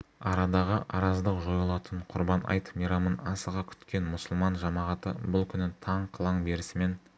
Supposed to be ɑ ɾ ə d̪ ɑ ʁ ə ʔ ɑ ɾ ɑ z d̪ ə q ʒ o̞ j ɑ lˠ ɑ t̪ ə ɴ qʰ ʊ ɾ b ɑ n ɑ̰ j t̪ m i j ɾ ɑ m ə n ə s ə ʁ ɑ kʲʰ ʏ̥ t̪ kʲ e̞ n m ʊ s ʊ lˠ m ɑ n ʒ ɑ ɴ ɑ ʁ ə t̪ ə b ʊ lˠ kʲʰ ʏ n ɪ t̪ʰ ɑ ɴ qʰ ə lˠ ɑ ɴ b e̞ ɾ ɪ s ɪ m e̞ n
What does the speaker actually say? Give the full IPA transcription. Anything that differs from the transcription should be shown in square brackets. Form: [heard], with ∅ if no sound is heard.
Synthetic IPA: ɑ ɾ [ɑ] d̪ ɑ ʁ ə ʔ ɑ ɾ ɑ z d̪ ə q ʒ o̞ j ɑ lˠ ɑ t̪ ə ɴ qʰ ʊ ɾ b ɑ n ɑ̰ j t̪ m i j ɾ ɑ m ə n [ɑ] s ə ʁ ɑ kʲʰ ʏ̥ t̪ kʲ e̞ n m ʊ s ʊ lˠ m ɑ n ʒ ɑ [m] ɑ ʁ [ɑ] t̪ ə b ʊ lˠ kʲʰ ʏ n ɪ t̪ʰ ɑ ɴ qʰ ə lˠ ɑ ɴ b e̞ ɾ ɪ s ɪ m e̞ n